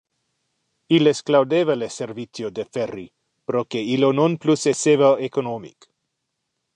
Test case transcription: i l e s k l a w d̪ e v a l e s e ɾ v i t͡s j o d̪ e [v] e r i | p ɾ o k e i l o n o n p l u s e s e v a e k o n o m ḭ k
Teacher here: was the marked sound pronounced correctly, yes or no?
no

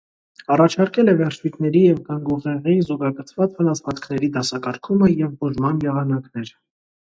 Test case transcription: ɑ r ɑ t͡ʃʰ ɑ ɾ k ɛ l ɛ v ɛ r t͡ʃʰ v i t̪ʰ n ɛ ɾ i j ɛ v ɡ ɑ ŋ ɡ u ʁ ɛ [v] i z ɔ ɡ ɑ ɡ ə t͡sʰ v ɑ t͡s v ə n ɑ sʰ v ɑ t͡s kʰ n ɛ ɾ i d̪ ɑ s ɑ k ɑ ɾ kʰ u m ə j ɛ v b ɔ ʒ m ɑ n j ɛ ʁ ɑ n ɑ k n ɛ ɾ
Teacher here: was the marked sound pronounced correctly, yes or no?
no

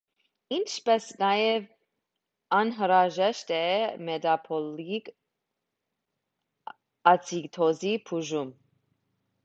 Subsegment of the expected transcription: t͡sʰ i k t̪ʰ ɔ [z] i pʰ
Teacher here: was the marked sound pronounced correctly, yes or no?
yes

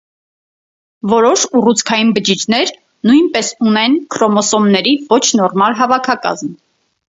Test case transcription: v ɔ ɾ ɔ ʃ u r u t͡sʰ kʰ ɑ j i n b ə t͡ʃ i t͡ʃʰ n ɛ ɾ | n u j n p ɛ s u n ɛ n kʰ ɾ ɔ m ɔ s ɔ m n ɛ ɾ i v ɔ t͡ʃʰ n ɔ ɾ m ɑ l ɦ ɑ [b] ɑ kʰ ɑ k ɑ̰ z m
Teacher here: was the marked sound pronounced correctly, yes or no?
no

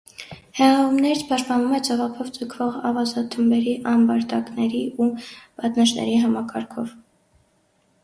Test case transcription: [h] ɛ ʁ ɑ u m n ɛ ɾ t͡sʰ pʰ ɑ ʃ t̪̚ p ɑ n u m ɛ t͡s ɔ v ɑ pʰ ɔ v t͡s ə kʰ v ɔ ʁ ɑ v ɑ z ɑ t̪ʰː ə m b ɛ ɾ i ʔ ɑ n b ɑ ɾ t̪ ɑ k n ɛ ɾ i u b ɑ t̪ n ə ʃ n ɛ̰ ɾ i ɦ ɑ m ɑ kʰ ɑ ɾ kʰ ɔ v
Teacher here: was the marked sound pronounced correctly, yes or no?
yes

